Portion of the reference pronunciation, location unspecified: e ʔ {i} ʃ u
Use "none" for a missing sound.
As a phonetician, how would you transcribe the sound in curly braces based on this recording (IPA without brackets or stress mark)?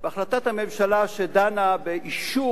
i